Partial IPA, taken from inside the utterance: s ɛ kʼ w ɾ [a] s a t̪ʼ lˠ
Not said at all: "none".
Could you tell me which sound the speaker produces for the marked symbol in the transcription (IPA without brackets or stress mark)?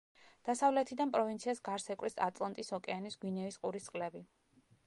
i